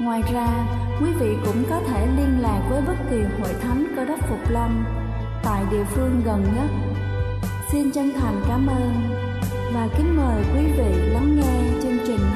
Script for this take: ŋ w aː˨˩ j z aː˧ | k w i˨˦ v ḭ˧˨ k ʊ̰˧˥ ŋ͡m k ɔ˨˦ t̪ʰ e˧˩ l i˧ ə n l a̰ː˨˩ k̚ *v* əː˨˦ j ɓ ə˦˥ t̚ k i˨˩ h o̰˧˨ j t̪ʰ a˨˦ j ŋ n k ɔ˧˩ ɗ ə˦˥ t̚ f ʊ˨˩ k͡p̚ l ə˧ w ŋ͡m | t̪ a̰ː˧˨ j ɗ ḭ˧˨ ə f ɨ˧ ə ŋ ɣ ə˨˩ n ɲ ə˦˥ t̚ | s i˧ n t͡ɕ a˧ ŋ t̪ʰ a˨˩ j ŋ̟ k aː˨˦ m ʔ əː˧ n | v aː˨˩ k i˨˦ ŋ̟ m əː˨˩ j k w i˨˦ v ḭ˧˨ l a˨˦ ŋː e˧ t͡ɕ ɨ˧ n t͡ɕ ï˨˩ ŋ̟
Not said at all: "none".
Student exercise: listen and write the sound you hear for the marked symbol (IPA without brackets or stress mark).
v